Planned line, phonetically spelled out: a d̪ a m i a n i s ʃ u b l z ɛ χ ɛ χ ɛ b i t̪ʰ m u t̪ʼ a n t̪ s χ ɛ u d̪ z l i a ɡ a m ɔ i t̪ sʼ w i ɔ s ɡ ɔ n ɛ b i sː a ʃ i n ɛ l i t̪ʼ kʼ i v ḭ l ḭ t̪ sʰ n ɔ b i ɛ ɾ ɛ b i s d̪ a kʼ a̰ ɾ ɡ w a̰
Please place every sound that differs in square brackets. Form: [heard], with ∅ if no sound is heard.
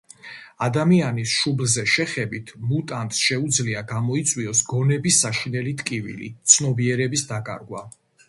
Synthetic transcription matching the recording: a d̪ a m i a n i s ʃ u b l z ɛ [ʃ] ɛ χ ɛ b i t̪ʰ m u t̪ʼ a n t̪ s [ʃ] ɛ u d̪ z l i a ɡ a m ɔ i t̪ sʼ w i ɔ s ɡ ɔ n ɛ b i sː a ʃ i n ɛ l i t̪ʼ kʼ i v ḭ l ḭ t̪ sʰ n ɔ b i ɛ ɾ ɛ b i s d̪ a kʼ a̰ ɾ ɡ w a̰